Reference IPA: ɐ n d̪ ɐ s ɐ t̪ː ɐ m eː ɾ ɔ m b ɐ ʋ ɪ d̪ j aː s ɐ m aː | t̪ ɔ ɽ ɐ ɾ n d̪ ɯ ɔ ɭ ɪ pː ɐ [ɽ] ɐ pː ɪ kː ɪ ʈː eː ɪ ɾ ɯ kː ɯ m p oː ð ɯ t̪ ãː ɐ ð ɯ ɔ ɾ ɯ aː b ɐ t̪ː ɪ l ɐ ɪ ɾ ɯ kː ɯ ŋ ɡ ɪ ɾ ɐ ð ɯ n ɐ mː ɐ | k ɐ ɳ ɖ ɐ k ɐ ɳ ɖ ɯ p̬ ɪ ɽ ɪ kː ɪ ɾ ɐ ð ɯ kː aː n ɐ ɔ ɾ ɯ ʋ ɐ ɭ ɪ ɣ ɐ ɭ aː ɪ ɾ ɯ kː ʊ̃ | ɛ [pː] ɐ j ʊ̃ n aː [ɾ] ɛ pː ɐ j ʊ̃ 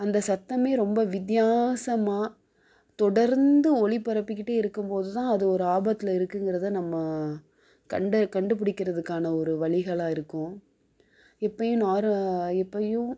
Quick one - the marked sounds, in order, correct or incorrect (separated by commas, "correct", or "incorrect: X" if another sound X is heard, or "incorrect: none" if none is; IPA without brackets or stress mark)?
incorrect: ɾ, correct, correct